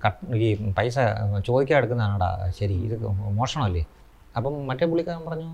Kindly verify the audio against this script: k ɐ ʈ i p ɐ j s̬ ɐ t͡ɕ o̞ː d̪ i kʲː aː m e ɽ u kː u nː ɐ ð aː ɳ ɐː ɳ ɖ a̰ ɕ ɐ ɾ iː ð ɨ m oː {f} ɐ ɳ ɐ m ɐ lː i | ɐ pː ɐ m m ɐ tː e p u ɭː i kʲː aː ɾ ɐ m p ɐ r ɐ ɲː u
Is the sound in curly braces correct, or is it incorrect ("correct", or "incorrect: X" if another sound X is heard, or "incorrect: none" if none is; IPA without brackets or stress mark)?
incorrect: ʂ